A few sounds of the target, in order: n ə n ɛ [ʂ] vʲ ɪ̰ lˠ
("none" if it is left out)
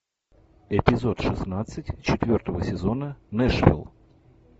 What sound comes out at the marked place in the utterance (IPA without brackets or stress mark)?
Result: ʂ